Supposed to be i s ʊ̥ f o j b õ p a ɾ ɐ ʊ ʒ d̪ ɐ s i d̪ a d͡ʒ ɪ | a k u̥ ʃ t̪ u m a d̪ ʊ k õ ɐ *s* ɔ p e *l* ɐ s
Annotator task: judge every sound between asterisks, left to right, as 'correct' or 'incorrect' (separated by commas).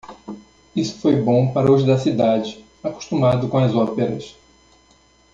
incorrect, incorrect